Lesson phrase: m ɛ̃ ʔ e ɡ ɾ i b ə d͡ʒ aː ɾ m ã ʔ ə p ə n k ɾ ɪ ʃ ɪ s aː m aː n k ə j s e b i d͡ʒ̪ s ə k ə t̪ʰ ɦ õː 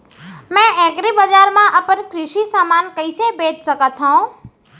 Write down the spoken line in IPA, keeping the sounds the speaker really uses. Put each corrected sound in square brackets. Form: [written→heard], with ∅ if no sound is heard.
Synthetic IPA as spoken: m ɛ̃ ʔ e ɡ ɾ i b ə d͡ʒ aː ɾ m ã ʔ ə p ə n k ɾ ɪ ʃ [ɪ→i] s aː m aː n k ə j s e b [i→e] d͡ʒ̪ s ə k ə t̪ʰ ɦ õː